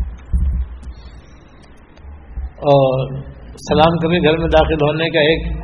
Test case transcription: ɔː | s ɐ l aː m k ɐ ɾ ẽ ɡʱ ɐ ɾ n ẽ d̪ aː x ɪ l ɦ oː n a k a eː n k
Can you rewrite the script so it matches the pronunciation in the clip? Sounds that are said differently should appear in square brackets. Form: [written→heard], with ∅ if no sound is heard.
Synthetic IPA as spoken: ɔː | s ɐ l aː m k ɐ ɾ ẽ ɡʱ ɐ ɾ [n→m] ẽ d̪ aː x ɪ l ɦ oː n [a→e] k a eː [n→∅] k